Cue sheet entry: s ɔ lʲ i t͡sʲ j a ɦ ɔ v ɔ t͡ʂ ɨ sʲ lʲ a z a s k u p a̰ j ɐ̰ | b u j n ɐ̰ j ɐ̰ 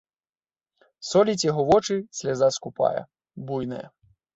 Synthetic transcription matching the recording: s ɔ lʲ i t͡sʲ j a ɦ ɔ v ɔ t͡ʂ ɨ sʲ lʲ a z a s k u p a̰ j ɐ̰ | b u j n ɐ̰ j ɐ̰